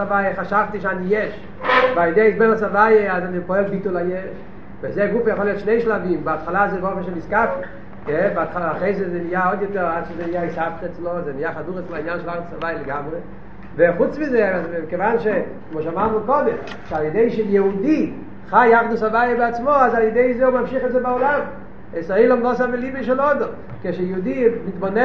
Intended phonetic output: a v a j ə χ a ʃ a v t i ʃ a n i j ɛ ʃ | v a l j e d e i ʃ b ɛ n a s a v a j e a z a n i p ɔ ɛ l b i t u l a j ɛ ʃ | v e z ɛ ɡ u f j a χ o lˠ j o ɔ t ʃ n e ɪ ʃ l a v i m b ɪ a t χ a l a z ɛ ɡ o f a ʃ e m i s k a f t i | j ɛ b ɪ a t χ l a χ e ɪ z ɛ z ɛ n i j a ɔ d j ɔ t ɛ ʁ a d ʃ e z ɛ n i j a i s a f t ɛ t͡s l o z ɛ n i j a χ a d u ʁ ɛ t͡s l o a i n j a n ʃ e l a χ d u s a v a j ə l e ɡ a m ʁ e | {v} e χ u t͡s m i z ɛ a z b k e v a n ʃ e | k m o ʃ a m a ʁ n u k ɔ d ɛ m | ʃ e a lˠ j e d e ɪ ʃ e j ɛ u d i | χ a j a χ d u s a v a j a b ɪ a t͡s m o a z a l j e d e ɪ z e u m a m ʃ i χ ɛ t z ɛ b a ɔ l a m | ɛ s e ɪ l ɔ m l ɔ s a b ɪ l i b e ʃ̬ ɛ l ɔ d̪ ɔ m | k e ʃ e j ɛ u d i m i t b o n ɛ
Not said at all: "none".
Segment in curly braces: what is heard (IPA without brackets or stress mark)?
v